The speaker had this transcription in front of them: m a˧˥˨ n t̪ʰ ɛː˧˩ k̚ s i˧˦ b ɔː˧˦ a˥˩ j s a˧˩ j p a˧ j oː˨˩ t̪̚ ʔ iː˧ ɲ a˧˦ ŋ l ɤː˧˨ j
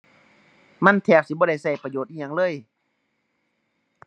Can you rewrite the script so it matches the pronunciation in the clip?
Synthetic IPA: m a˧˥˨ n t̪ʰ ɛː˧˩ k̚ s i˧˦ b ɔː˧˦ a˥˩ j s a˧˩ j p a˧ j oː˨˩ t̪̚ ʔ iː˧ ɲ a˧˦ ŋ l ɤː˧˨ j